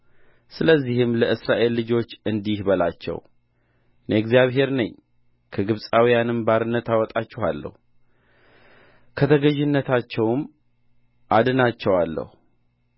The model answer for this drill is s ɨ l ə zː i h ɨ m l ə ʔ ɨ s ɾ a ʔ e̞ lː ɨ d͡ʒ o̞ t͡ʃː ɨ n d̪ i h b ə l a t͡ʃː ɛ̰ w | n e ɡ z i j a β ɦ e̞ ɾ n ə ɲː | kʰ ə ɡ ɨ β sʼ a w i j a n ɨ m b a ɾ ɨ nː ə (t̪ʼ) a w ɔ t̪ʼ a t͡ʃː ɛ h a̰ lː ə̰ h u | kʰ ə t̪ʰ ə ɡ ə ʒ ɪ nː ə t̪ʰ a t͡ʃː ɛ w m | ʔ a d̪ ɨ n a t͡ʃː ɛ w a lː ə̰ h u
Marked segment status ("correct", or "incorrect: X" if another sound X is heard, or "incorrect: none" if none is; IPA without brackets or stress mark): incorrect: t̪